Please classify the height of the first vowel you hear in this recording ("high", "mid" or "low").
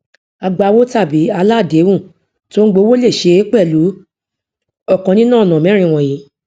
low